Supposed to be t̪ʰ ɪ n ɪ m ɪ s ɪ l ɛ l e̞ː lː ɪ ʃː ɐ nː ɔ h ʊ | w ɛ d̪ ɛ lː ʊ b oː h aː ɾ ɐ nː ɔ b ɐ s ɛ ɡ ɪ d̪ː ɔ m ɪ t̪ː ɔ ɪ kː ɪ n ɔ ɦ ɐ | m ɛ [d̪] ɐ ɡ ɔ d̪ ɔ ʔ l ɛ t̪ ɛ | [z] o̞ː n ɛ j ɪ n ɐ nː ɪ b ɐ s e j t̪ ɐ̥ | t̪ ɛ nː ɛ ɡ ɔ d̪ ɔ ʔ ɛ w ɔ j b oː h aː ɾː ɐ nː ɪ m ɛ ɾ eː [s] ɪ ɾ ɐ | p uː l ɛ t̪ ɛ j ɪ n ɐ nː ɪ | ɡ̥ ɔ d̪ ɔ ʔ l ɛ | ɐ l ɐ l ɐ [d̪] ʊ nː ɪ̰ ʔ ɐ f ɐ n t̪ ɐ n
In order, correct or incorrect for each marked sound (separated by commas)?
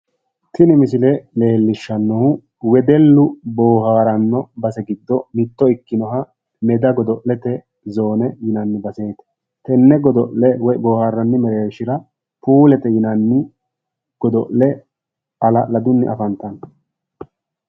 correct, correct, incorrect, correct